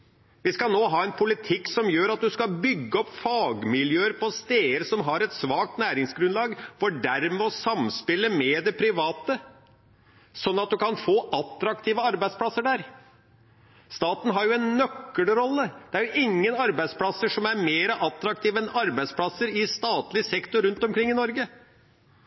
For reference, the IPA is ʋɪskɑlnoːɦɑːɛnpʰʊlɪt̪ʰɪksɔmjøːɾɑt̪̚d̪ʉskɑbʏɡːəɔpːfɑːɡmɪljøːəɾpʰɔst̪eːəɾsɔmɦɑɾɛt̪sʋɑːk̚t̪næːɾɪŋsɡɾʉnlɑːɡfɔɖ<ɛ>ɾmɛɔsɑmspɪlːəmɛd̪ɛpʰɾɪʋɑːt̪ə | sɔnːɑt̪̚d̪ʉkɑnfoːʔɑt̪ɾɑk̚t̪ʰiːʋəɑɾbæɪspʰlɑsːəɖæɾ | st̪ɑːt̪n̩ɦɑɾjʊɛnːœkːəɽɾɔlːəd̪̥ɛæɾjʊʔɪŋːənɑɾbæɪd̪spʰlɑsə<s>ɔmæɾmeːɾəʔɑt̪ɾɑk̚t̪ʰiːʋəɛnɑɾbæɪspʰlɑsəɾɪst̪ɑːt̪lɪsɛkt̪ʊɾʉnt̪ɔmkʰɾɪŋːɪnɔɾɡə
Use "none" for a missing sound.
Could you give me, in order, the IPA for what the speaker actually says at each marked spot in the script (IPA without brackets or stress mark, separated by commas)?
æ, ʂ